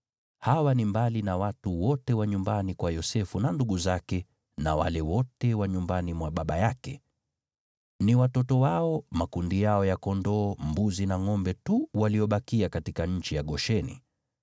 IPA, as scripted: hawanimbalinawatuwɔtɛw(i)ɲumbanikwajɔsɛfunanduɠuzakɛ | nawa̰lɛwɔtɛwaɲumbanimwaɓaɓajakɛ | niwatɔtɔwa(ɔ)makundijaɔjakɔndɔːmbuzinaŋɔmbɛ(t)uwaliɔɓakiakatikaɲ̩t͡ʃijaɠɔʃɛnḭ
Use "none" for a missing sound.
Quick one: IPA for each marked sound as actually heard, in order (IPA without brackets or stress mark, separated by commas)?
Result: a, ɔ, t